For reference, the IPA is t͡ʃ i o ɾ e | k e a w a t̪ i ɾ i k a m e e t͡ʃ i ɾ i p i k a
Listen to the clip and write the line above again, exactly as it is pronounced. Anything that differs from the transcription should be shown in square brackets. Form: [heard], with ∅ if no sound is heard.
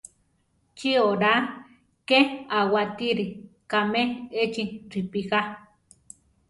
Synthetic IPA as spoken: t͡ʃ i o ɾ [a] | k e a w a t̪ i ɾ i k a m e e t͡ʃ i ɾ i p i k a